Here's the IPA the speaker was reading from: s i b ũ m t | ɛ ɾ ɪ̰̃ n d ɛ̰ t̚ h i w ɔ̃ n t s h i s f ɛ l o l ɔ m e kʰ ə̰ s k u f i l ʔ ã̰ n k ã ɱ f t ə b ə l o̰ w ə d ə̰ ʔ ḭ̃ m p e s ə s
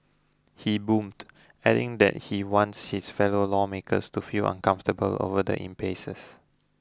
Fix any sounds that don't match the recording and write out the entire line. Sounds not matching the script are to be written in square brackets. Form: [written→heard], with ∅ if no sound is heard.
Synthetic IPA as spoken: [s→h] i b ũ m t | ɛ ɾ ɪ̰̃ [n→ŋ] d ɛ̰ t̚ h i w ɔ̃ n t s h i s f ɛ l o l ɔ m e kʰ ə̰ s [k→t] u f i l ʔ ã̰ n k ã ɱ f t ə b ə l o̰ [w→v] ə d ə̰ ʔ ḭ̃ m p e s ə s